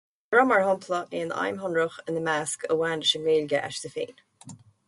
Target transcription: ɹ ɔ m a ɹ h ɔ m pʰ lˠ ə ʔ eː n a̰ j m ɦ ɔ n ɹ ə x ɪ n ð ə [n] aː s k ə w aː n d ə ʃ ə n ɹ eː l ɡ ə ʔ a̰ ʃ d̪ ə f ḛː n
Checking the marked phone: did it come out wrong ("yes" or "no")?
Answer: yes